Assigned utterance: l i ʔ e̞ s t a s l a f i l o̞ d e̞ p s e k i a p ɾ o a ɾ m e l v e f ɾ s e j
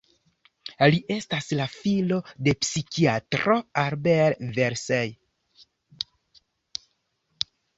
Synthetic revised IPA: l i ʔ e̞ s t a s l a f i l o̞ d e̞ p s i k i a t ɾ o a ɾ b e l v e ɾ s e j